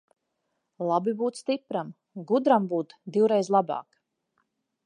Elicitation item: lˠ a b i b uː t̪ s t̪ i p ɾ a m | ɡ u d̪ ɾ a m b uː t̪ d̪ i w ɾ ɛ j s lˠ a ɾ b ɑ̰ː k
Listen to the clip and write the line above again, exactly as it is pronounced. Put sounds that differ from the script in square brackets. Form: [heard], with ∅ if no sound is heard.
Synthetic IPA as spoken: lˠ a b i b uː t̪ s t̪ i p ɾ a m | ɡ u d̪ ɾ a m b uː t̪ d̪ i w ɾ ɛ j [z] lˠ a [∅] b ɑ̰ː k